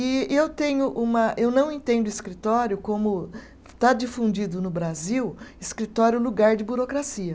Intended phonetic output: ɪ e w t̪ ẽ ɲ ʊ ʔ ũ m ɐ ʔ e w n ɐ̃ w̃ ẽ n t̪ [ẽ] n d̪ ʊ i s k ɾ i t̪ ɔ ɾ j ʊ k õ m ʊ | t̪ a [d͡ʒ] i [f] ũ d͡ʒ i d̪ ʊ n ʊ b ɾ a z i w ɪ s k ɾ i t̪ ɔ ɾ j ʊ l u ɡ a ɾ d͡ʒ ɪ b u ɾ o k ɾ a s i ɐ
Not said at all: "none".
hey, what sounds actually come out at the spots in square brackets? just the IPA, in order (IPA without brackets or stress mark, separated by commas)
ẽ, d͡ʒ, f